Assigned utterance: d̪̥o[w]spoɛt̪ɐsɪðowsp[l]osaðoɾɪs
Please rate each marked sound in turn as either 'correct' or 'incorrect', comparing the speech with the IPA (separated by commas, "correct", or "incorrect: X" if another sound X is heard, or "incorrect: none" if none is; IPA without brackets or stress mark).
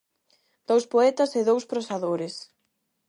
correct, incorrect: ɾ